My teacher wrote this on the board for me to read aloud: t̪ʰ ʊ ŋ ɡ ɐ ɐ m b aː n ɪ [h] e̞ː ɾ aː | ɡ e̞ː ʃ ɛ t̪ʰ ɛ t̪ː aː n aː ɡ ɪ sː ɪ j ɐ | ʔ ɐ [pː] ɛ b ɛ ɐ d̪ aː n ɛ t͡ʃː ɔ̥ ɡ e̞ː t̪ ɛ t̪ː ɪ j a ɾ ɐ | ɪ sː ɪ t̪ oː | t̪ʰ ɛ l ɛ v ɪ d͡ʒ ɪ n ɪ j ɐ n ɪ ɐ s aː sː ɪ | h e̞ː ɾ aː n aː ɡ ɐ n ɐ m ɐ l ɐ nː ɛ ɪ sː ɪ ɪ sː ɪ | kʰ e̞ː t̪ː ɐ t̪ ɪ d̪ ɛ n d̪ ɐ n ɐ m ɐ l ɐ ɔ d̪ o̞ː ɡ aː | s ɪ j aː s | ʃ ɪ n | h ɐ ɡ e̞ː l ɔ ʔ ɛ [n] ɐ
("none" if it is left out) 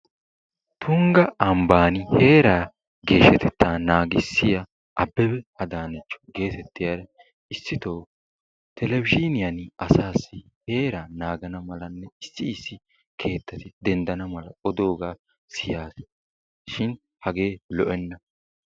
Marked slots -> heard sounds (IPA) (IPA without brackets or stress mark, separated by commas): h, bː, nː